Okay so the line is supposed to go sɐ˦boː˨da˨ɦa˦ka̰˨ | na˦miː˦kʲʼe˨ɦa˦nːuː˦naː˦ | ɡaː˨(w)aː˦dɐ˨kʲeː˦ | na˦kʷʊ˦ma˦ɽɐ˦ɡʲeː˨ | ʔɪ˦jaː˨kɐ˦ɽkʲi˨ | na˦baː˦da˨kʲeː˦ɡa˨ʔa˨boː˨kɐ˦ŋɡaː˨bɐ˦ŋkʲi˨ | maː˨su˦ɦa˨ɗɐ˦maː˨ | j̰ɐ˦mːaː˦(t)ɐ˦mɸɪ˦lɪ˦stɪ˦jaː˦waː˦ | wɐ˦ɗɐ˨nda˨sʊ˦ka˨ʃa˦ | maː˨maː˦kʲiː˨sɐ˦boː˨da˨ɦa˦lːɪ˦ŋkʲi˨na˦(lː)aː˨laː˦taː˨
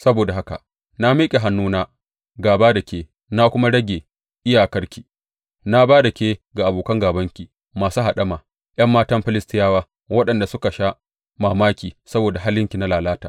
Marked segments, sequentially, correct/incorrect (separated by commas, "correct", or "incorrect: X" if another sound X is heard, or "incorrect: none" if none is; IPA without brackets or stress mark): incorrect: b, correct, incorrect: l